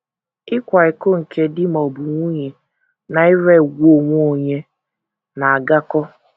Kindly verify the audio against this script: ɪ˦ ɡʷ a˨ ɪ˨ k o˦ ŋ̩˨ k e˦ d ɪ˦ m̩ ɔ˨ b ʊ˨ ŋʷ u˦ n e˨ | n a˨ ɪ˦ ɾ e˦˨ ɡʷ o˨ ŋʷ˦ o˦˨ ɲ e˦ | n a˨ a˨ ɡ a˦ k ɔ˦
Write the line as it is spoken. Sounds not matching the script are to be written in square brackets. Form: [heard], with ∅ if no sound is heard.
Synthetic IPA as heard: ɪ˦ [kʷ] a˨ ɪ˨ k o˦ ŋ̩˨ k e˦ d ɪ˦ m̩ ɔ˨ b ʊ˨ ŋʷ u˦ [ɲ] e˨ | n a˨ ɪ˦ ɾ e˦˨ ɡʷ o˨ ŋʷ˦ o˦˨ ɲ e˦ | n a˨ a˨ ɡ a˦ k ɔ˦